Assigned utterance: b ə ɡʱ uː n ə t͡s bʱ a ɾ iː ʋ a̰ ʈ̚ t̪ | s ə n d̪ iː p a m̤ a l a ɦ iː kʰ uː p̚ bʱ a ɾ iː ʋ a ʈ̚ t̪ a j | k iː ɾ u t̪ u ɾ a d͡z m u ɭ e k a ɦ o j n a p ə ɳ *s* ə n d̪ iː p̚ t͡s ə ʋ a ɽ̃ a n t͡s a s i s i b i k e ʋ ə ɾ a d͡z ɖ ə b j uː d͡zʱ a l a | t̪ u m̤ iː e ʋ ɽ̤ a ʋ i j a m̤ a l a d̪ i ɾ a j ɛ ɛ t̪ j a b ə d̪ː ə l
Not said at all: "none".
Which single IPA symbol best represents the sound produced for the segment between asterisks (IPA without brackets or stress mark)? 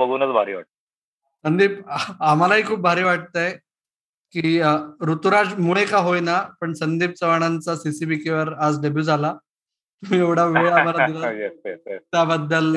s